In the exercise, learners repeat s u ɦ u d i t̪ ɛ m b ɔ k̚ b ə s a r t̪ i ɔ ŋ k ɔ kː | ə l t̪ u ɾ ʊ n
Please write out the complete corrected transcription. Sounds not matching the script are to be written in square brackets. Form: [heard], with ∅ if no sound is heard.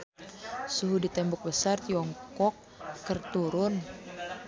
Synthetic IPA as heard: s u ɦ u d i t̪ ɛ m b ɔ k̚ b ə s a r t̪ i ɔ ŋ k ɔ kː | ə [r] t̪ u ɾ ʊ n